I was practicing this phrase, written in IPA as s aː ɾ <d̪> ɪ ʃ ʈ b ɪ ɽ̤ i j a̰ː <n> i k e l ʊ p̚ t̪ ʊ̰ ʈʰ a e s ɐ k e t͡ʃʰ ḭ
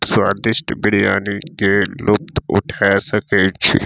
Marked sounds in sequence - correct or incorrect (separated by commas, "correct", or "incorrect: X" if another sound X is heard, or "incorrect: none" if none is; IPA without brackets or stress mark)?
correct, correct